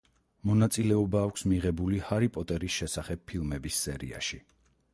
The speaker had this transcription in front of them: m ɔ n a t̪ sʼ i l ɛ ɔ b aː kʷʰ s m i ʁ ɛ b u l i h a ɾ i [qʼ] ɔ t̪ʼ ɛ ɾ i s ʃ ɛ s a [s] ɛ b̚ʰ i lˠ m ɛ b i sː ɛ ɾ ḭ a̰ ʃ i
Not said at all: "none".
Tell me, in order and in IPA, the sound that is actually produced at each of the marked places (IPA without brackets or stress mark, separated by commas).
pʼ, χ